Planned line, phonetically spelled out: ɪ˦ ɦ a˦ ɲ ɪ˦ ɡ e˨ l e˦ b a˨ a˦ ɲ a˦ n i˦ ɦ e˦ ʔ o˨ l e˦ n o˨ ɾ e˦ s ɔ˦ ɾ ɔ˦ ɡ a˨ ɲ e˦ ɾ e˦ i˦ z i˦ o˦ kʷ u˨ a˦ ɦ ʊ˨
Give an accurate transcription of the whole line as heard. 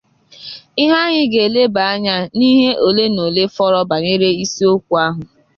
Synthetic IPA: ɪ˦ ɦ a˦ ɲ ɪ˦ ɡ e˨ l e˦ b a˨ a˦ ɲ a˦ n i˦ ɦ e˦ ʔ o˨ l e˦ n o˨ l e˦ f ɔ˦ ɾ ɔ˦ b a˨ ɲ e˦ ɾ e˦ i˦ s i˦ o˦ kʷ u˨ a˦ ɦ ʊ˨